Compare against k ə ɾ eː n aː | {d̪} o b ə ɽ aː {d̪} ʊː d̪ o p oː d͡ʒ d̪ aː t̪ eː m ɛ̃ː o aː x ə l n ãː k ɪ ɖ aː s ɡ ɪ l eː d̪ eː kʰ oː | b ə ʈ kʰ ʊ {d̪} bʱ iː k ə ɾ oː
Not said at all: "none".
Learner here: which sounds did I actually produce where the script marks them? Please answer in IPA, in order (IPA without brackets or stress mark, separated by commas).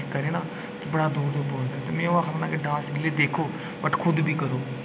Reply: t̪, d̪, d̪